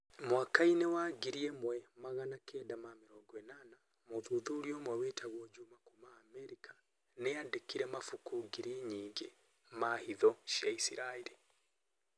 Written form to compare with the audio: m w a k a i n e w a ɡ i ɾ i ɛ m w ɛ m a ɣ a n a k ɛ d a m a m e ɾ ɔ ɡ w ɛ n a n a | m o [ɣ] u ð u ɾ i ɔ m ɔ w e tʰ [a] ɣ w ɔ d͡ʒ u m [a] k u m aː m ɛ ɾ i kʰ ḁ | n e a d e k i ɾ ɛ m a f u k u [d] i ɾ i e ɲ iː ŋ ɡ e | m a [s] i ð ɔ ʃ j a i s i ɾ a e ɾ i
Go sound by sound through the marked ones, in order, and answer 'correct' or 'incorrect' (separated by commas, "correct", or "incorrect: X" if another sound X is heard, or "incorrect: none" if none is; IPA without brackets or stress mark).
incorrect: ð, correct, correct, incorrect: ɡ, incorrect: h